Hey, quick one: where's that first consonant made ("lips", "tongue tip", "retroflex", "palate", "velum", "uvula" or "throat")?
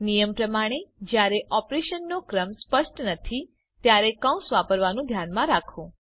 tongue tip